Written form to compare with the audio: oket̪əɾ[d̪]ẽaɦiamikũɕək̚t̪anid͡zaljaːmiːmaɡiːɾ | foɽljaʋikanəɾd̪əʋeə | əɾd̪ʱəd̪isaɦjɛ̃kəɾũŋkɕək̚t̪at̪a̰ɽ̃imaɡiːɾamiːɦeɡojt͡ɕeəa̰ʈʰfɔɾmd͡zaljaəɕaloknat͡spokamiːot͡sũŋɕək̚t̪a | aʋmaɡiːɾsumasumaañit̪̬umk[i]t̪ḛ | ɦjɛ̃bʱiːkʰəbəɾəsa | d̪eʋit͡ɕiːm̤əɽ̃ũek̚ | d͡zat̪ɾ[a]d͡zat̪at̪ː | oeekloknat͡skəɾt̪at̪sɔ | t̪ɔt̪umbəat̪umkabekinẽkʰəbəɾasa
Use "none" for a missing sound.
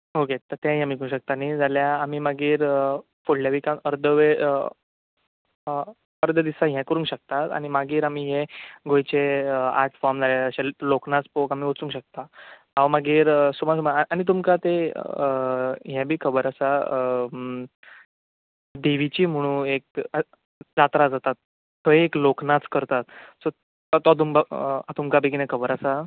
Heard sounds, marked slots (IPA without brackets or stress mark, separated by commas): t̪, a, a